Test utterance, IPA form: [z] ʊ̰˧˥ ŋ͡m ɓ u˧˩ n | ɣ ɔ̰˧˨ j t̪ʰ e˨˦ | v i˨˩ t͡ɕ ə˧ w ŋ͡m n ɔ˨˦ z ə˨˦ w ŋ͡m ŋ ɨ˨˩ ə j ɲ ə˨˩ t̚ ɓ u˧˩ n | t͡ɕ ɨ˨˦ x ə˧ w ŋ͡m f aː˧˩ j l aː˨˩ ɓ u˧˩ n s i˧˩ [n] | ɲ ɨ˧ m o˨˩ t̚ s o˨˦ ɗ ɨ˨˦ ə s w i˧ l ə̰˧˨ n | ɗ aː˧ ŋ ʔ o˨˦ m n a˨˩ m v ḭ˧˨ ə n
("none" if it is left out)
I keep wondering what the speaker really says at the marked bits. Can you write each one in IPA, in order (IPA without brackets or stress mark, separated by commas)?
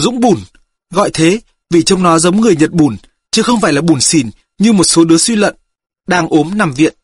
z, n